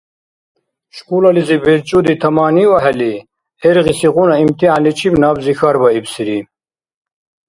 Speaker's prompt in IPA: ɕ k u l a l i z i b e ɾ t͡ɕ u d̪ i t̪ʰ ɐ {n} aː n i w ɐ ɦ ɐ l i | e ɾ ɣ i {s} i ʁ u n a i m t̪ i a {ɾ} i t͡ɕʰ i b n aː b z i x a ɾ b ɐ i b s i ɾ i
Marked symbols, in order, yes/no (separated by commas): no, yes, no